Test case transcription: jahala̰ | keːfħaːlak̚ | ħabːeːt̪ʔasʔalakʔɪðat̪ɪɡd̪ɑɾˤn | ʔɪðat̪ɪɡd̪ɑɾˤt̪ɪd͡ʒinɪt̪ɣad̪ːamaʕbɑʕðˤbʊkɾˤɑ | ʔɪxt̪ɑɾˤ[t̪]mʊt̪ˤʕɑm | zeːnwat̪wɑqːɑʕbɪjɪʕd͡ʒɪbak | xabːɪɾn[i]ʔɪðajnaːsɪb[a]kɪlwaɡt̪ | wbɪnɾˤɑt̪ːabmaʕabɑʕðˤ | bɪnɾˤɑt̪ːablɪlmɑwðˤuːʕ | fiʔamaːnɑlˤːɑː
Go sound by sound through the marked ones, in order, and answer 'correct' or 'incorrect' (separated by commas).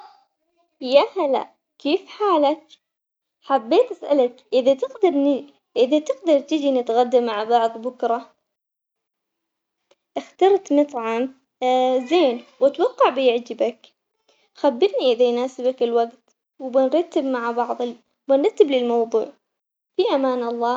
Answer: correct, correct, correct